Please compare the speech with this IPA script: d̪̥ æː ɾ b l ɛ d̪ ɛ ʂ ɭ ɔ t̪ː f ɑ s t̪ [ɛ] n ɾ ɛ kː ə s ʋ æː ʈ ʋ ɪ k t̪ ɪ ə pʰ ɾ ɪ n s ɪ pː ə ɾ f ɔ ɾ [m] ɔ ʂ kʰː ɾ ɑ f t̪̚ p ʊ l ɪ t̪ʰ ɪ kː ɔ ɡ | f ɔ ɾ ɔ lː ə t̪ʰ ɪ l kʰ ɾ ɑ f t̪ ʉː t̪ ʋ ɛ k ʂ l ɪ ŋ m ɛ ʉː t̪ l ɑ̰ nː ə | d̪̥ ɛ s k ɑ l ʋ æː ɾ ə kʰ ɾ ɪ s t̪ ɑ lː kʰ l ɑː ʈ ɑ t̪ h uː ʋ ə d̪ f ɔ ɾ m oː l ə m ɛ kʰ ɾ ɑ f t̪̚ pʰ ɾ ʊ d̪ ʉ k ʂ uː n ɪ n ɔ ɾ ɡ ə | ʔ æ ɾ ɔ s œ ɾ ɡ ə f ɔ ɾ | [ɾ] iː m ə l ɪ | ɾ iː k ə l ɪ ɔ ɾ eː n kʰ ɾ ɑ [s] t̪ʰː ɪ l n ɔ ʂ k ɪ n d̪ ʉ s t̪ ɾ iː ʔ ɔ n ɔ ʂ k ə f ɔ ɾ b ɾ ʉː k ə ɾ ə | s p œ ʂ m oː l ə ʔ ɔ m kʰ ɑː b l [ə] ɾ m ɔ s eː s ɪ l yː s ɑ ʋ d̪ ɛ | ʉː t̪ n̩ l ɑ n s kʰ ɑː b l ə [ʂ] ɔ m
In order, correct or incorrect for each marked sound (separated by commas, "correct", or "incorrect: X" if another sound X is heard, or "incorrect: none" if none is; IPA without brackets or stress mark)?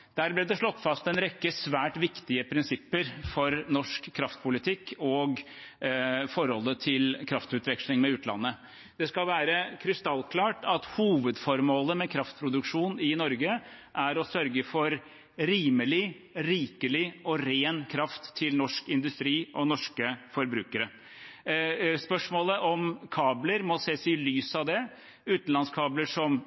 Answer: correct, incorrect: n, correct, incorrect: f, correct, correct